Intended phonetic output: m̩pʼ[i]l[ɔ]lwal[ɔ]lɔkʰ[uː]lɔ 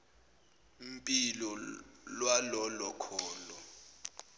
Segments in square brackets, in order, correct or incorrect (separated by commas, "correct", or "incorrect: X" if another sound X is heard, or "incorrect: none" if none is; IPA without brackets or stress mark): correct, correct, correct, incorrect: ɔː